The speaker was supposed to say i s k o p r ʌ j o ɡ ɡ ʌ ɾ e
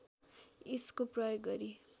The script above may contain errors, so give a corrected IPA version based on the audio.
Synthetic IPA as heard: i s k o p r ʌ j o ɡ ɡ ʌ ɾ i